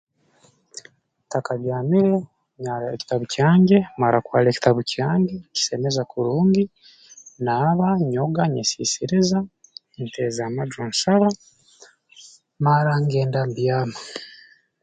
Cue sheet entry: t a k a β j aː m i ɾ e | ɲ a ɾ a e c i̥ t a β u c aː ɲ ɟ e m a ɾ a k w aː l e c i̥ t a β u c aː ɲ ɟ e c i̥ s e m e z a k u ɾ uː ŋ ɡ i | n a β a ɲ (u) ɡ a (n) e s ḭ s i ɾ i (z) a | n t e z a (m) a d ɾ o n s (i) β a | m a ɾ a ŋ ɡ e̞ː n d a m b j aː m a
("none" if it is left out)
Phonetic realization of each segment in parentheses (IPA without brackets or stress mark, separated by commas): o, ɲ, z, m, a